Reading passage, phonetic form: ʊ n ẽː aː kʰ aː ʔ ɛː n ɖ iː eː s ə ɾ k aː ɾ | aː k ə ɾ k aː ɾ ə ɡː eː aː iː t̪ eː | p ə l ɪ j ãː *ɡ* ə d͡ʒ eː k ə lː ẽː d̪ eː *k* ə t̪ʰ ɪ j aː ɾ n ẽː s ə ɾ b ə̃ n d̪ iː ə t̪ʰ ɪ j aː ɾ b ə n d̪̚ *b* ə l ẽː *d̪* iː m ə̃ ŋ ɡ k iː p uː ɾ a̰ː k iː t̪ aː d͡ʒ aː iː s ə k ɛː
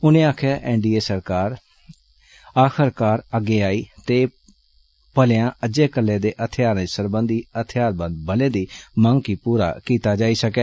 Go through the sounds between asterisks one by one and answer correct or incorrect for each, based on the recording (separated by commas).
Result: incorrect, incorrect, correct, correct